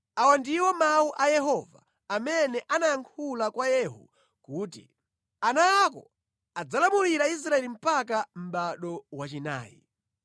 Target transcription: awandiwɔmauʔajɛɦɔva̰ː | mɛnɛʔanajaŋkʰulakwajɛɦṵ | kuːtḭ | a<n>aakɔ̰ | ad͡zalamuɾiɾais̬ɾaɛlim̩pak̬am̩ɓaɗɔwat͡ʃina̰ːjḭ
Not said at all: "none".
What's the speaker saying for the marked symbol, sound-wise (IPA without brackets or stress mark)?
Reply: n